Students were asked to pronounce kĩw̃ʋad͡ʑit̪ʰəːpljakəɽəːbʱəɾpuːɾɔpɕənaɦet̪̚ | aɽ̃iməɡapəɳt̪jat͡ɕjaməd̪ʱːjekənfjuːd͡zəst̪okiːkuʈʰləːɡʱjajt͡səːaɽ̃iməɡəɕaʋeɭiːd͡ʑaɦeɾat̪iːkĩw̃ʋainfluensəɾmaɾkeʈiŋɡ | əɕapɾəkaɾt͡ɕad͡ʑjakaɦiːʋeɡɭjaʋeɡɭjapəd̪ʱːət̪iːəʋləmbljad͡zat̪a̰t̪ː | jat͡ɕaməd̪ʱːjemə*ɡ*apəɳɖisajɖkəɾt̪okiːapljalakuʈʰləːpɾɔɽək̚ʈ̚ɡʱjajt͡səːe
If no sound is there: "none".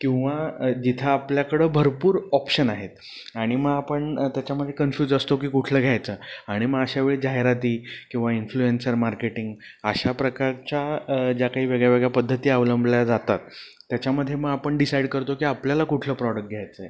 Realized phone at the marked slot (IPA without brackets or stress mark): ɡ